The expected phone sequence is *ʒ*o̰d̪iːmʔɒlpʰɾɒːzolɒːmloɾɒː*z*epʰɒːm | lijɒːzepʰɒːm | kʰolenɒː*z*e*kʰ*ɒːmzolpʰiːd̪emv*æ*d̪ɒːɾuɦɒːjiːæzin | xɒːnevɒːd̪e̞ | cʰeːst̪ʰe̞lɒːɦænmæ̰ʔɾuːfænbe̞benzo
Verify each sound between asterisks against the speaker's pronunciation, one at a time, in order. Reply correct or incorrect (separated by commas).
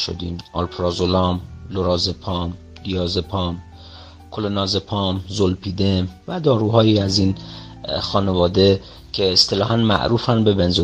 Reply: incorrect, correct, correct, incorrect, correct